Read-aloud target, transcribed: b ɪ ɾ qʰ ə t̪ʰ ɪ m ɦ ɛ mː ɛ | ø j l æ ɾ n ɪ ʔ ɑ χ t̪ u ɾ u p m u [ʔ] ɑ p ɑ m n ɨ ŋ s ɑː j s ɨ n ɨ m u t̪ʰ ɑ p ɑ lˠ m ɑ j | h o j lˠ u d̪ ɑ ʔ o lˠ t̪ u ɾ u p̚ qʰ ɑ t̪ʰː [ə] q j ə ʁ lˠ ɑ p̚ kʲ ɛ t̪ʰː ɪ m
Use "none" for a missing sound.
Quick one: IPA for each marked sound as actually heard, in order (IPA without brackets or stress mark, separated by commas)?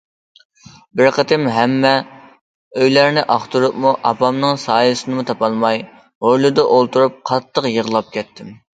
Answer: ʔ, ə